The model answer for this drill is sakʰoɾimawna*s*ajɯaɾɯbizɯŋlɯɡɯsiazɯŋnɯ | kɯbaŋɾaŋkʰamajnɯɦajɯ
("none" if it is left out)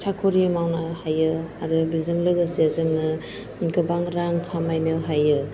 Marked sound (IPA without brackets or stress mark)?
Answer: h